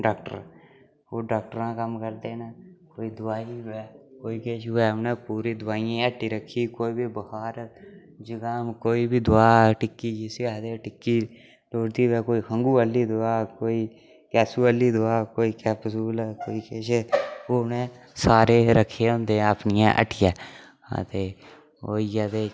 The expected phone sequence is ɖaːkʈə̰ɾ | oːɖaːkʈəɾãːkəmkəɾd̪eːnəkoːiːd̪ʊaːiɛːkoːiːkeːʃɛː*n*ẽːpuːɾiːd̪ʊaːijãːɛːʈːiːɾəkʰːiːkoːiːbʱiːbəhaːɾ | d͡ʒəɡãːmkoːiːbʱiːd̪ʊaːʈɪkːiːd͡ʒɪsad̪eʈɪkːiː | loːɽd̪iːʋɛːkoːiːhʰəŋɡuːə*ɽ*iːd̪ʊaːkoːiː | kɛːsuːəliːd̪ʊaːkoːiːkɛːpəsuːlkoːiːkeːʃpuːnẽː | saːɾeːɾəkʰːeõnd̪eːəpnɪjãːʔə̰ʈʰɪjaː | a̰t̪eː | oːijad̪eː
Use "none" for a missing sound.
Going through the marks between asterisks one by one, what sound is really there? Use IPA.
n, l

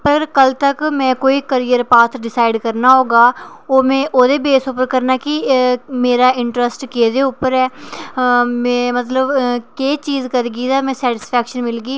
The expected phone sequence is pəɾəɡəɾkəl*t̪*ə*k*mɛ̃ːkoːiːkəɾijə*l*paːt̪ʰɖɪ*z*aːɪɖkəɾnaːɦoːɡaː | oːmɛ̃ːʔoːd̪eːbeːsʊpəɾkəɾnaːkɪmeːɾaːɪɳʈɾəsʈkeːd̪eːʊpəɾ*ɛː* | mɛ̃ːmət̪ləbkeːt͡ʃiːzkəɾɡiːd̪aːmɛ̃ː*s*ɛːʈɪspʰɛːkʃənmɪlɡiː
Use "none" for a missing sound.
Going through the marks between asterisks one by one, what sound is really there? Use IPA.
t̪, k, ɾ, s, ɛː, s

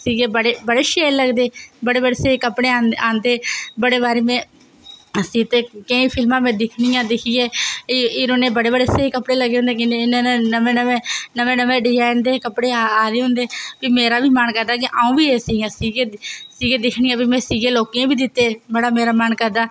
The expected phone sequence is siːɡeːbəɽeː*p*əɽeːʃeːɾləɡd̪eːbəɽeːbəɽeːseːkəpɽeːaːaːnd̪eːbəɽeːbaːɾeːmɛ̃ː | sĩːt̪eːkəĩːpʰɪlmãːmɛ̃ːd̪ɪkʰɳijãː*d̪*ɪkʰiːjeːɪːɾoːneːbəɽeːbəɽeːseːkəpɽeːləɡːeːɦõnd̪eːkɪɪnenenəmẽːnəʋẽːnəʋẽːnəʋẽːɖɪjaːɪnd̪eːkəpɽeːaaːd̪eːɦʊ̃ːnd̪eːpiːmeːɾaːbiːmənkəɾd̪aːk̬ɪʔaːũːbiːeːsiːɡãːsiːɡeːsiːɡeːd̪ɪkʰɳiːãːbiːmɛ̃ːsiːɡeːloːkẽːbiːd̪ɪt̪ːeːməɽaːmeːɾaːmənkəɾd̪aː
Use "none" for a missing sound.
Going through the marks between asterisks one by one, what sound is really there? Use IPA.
b, d̪

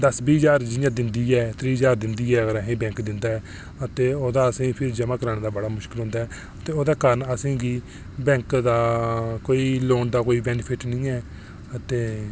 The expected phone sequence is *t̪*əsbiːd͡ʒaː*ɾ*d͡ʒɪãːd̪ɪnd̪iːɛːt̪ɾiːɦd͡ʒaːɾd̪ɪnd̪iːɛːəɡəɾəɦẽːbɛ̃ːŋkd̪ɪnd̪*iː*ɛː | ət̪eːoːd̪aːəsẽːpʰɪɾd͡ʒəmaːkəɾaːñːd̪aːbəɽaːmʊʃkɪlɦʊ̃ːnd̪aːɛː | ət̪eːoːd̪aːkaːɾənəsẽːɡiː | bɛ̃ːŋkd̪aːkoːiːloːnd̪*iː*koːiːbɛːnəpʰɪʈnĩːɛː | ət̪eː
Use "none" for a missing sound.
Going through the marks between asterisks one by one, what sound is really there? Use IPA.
d̪, ɾ, aː, aː

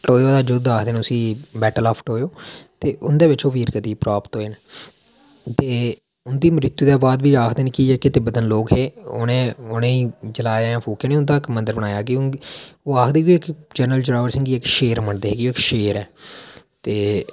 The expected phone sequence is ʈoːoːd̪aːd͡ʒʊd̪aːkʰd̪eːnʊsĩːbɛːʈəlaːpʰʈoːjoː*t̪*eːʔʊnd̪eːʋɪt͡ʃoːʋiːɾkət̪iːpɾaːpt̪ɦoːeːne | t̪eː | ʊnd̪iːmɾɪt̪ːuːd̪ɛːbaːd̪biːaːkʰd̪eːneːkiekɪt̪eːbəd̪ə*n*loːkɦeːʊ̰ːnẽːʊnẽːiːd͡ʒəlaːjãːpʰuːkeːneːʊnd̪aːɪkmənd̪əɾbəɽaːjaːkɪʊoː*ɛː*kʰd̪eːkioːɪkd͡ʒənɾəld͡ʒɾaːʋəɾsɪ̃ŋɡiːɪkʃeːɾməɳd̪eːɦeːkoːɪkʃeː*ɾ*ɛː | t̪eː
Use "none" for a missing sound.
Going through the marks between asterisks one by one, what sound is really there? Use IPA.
t̪, n, aː, ɾ

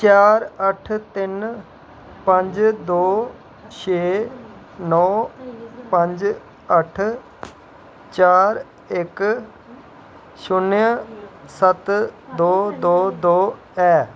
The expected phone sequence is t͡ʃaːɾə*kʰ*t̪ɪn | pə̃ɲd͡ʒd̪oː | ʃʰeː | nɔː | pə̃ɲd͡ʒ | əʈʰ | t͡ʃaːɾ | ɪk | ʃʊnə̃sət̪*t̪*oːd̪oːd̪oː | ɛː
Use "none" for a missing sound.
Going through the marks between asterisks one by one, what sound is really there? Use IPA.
ʈʰ, d̪

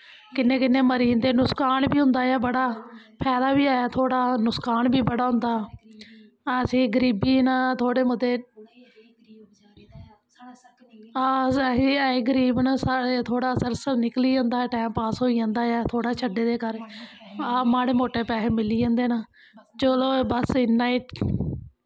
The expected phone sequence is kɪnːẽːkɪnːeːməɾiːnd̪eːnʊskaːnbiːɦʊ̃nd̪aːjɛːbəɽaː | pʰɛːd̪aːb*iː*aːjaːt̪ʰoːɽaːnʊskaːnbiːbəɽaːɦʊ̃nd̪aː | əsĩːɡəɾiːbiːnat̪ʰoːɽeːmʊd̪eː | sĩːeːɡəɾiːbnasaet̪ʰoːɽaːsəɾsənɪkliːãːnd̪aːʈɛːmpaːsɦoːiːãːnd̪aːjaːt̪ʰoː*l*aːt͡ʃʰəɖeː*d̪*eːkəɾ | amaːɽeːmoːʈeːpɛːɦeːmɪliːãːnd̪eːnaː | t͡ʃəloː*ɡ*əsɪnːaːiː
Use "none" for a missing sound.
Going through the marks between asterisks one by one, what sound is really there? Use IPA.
iː, ɽ, d̪, b

